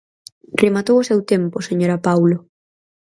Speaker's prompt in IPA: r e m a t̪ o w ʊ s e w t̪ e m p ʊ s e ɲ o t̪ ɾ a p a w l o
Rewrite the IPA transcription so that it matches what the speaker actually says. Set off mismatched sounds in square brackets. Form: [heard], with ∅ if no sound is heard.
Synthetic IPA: r e m a t̪ o w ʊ s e w t̪ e m p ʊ s e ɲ o [∅] ɾ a p a w l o